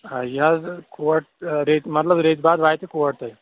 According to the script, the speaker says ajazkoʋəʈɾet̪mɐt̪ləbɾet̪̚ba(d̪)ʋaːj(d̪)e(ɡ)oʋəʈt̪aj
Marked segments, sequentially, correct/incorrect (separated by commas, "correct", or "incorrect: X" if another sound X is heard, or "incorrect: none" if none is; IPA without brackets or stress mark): correct, incorrect: t̪, incorrect: k